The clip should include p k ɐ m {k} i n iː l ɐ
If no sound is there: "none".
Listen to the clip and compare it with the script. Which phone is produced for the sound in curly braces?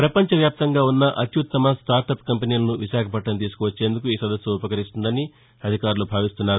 p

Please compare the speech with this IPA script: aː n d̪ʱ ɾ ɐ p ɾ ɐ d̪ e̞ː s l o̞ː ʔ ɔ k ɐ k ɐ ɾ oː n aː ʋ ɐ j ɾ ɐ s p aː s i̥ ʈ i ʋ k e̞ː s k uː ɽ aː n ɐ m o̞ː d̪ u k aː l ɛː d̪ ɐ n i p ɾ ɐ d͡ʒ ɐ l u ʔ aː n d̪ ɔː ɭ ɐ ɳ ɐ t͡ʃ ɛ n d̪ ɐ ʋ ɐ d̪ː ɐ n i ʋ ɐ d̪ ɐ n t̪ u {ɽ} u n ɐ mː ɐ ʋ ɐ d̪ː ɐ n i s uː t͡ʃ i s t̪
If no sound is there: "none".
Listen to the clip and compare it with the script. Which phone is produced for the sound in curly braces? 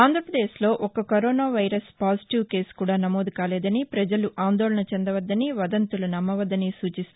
l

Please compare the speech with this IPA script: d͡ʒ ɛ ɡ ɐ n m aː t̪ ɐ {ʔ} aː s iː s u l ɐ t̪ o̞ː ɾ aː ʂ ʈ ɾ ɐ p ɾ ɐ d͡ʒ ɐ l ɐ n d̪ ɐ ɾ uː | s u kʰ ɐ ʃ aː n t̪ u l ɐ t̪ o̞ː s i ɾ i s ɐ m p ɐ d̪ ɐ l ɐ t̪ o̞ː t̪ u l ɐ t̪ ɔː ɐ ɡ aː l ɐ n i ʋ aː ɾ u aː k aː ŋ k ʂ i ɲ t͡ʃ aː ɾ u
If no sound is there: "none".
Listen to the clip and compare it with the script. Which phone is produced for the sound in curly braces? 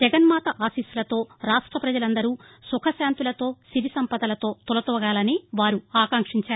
ʔ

